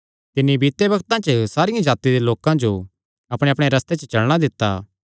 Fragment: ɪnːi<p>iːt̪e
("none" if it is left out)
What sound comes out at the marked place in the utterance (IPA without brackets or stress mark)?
b